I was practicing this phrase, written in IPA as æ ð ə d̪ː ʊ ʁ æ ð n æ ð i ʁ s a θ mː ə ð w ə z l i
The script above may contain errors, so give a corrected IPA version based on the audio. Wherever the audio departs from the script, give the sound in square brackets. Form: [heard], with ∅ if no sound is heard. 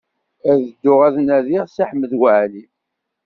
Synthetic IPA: æ ð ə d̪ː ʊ ʁ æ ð n æ ð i ʁ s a [ħ] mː ə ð w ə [ʕ] l i

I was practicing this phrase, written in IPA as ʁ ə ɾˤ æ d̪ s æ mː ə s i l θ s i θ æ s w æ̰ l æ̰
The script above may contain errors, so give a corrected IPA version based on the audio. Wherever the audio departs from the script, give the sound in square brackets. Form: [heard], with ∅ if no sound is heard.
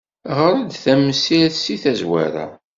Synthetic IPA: ʁ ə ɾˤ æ d̪ [θ] æ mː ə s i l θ s i θ æ [z] w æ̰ [ɾ] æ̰

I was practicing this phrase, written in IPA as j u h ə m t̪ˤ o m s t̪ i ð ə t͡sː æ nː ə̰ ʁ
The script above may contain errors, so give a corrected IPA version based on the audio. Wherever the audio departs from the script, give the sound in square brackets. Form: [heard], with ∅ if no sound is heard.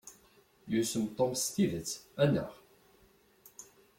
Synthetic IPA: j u [s] ə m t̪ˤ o m s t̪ i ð ə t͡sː æ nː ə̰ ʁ

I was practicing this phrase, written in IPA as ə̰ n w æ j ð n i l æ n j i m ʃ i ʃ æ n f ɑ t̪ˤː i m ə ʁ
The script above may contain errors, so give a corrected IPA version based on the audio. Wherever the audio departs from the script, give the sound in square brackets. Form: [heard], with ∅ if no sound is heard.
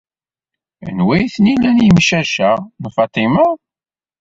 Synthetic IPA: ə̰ n w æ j [θ] n i l æ n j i m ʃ [æ] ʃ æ n f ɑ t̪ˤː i m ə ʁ

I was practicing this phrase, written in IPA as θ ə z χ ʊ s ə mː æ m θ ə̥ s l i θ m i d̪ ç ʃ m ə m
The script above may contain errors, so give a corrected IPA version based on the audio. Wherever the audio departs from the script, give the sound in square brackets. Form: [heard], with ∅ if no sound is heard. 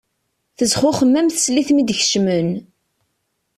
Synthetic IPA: θ ə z χ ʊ [χ] ə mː æ m θ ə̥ s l i θ m i d̪ ç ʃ m ə [n]

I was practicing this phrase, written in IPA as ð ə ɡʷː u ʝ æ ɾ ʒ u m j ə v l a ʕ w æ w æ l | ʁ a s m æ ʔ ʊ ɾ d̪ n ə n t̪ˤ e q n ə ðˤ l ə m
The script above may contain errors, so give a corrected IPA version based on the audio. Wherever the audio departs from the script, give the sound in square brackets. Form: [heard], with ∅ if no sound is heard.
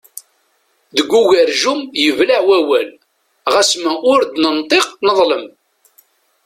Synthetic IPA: ð ə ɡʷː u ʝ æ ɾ ʒ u m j ə v l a ʕ w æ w æ l | ʁ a s m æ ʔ ʊ ɾ d̪ n ə n t̪ˤ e q n ə ðˤ l ə m

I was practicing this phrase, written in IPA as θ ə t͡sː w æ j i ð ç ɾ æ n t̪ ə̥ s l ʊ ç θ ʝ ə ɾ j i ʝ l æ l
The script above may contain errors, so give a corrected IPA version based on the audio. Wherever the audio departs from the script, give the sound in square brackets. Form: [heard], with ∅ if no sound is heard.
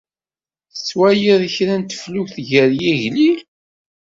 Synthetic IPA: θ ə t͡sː w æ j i ð ç ɾ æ n t̪ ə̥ [f] l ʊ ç θ ʝ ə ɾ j i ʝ l [i] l

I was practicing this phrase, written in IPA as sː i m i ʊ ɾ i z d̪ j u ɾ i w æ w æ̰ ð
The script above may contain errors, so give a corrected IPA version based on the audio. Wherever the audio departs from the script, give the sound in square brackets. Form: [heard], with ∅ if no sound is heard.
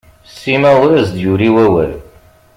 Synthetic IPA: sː i m [æ] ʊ ɾ [æ] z d̪ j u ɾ i w æ w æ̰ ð

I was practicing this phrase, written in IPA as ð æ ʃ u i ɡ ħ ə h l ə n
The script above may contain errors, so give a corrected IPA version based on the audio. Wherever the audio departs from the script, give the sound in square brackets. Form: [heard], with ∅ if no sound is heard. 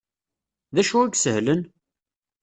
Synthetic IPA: ð æ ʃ u [æ] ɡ [s] ə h l ə n

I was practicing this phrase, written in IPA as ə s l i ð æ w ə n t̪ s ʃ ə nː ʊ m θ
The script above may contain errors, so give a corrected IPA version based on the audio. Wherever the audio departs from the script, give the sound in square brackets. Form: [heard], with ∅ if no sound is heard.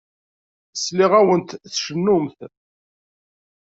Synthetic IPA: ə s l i [ʁ] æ w ə n t̪ [θ] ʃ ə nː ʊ m θ

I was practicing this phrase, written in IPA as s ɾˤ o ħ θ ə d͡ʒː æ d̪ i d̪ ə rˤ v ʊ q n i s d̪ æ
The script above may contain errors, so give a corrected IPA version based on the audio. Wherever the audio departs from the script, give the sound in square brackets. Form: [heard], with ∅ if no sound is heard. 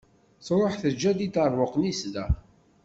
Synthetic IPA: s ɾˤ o ħ θ ə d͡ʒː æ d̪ i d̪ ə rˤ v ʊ q n i s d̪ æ

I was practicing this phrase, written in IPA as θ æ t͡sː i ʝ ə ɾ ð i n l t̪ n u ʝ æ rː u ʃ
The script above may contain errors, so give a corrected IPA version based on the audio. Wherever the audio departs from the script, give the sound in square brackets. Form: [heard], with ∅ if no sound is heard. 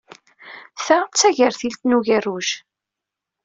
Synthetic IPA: θ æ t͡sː [æ] ʝ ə ɾ [θ] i [∅] l t̪ n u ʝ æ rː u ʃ

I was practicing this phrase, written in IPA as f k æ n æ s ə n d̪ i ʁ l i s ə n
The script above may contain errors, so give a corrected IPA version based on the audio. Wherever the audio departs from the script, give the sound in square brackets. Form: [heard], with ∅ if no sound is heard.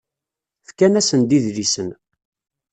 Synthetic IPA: f k æ n æ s ə n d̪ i [ð] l i s ə n

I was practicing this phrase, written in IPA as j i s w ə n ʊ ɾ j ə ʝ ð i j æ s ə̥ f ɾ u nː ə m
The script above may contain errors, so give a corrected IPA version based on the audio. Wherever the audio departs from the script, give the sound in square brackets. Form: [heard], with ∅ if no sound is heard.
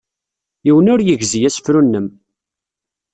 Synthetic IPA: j i [∅] w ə n ʊ ɾ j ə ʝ [z] i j æ s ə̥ f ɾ u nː ə m

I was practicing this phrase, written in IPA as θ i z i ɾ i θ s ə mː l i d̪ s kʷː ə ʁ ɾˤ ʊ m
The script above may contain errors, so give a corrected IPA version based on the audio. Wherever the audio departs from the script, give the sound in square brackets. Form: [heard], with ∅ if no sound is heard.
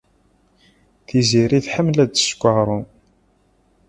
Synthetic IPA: θ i z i ɾ i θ [ħ] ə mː l [æ] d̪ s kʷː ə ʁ ɾˤ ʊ [n]

